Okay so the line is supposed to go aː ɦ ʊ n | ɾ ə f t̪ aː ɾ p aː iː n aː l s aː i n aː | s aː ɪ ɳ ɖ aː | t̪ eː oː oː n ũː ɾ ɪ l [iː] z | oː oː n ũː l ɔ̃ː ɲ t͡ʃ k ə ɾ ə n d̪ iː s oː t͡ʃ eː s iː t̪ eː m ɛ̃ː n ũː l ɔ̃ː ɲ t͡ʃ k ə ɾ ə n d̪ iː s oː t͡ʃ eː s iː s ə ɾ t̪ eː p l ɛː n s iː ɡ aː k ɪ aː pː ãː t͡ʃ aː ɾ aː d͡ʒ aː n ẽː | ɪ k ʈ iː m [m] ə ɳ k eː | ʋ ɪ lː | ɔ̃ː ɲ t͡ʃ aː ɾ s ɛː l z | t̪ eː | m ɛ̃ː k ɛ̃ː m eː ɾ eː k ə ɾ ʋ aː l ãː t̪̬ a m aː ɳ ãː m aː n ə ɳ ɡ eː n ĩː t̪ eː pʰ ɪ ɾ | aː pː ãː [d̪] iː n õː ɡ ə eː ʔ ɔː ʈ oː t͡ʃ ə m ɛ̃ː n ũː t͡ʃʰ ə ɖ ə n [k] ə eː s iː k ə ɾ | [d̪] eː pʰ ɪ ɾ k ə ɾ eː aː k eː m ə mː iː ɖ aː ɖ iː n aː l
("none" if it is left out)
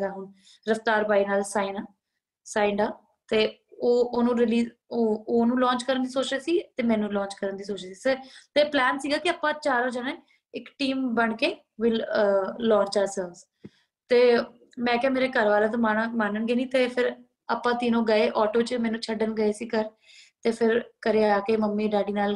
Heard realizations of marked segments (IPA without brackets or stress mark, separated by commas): iː, b, t̪, ɡ, t̪